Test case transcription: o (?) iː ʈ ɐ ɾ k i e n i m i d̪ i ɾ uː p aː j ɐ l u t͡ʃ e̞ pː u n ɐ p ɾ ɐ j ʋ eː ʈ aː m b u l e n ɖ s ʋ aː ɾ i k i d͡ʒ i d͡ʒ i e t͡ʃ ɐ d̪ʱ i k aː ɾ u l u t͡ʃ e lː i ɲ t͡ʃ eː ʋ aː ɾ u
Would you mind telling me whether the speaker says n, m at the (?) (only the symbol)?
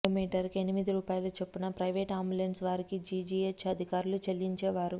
m